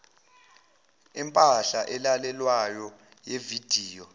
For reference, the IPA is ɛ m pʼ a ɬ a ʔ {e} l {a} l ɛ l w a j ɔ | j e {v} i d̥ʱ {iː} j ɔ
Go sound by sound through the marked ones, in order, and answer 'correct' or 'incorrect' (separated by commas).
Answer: incorrect, correct, correct, correct